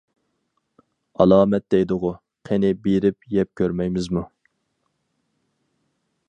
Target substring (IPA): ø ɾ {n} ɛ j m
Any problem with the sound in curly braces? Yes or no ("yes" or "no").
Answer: yes